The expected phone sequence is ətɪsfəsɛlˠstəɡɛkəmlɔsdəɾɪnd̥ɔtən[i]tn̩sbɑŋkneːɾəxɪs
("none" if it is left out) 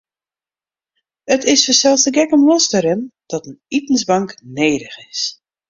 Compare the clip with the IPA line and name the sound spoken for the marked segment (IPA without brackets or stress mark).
i